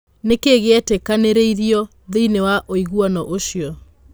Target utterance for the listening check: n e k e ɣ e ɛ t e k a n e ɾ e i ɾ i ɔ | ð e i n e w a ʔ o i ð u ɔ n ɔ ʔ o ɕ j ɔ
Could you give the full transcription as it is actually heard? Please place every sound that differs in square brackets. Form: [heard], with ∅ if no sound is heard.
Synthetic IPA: n e k e ɣ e ɛ t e k a n e ɾ e i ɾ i ɔ | ð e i n e w a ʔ o i [ɣ] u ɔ n ɔ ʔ o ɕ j ɔ

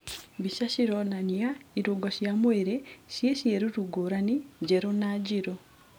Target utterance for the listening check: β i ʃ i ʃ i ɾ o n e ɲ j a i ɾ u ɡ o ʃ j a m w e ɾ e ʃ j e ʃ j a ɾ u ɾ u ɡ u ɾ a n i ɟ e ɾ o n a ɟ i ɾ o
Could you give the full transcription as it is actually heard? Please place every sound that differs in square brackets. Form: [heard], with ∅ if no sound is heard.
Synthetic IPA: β i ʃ [a] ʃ i ɾ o n [a] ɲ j a i ɾ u ɡ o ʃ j a m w e ɾ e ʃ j e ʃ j [e] ɾ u ɾ u ɡ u ɾ a n i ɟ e ɾ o n a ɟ i ɾ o

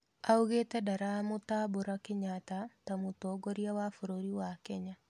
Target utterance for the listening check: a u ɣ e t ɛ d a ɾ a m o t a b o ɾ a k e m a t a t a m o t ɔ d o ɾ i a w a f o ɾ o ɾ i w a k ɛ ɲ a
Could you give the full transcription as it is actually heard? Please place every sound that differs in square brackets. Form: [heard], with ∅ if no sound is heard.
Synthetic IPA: a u ɣ e t ɛ d a ɾ a m o t a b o ɾ a k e [ɲ] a t a t a m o t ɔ [ɡ] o ɾ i a w a f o ɾ o ɾ i w a k ɛ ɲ a

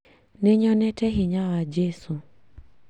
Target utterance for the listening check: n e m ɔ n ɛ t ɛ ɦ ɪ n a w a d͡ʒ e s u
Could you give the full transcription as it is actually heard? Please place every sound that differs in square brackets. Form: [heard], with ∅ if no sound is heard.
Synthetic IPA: n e [ɲ] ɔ n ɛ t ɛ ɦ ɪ [ɲ] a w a d͡ʒ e s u

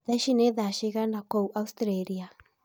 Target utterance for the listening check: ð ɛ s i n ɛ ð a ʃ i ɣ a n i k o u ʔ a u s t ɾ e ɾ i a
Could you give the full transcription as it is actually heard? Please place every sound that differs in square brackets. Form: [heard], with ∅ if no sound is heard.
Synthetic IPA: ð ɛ [ʃ] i n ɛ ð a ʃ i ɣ a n [a] k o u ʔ a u s t ɾ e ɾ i a

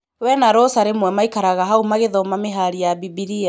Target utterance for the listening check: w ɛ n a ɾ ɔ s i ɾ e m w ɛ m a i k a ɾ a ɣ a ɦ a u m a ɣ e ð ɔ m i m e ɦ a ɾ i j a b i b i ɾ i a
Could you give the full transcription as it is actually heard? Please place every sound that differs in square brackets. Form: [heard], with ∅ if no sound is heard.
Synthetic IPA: w ɛ n a ɾ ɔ s [a] ɾ e m w ɛ m a i k a ɾ a ɣ a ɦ a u m a ɣ e ð ɔ m [a] m e ɦ a ɾ i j a b i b i ɾ i a

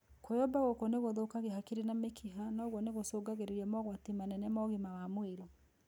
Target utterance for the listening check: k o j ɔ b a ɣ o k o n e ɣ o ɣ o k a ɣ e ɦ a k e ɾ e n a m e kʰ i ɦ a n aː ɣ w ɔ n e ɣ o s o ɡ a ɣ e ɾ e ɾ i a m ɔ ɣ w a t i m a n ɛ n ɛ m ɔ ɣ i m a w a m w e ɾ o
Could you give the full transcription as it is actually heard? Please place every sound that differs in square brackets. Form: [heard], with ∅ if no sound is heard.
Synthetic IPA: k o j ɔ b a ɣ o k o n e ɣ o [ð] o k a ɣ e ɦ a k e ɾ e n a m e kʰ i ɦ a n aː ɣ w ɔ n e ɣ o s o ɡ a ɣ e ɾ e ɾ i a m ɔ ɣ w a t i m a n ɛ n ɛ m ɔ ɣ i m a w a m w e ɾ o

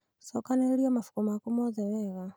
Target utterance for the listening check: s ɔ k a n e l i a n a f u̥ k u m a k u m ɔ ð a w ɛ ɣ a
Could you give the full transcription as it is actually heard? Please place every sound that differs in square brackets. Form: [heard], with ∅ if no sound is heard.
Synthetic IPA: s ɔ k a n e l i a [m] a f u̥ k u m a k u m ɔ ð [ɛ] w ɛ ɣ a

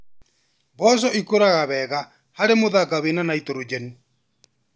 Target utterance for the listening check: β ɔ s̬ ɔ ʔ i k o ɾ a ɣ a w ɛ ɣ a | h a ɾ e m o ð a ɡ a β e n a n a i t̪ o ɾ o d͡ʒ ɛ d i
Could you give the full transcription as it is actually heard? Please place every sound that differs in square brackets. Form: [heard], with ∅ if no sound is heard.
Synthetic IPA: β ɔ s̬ ɔ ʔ i k o ɾ a ɣ a [β] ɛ ɣ a | h a ɾ e m o ð a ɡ a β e n a n a i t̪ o ɾ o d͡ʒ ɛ [n] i

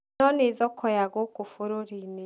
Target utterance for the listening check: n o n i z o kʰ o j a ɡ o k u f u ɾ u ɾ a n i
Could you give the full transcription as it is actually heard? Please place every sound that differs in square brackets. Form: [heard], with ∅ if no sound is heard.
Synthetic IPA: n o n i z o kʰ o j a ɡ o k u f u ɾ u ɾ [i] n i

